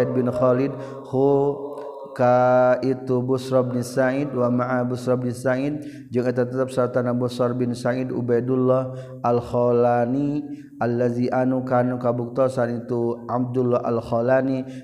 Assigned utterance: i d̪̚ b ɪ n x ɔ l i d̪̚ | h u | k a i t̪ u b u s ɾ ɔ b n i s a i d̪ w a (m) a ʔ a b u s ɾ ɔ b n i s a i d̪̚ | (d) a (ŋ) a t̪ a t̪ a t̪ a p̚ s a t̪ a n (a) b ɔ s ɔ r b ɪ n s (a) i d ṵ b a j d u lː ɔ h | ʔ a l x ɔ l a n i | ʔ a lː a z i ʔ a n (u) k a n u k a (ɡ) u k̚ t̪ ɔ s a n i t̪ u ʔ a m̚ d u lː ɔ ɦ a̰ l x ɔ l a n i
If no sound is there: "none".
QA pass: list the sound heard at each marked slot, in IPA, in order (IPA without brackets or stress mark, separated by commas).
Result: m, d͡ʒ, ŋ, a, a, u, b